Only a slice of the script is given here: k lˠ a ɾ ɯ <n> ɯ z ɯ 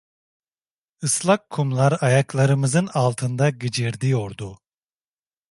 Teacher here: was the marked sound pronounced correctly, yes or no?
no